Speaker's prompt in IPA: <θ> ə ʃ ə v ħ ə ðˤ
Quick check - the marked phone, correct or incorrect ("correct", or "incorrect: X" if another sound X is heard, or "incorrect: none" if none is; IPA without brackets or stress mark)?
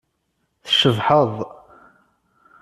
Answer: correct